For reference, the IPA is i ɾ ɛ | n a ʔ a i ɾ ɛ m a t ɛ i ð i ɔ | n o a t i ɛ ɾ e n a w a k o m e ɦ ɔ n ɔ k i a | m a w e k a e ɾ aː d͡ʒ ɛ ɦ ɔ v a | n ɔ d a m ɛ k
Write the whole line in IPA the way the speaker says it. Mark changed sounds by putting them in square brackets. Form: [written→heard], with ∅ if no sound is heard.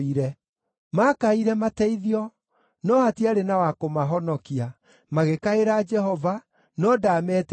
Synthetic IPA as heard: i ɾ ɛ | [n→m] a [ʔ→k] a i ɾ ɛ m a t ɛ i ð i ɔ | n [o→ɔ] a t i [ɛ→a] ɾ e n a w a k o m [e→a] ɦ ɔ n ɔ k i a | m a [w→ɣ] e k a e ɾ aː d͡ʒ ɛ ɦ ɔ v a | n ɔ d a m ɛ [k→t]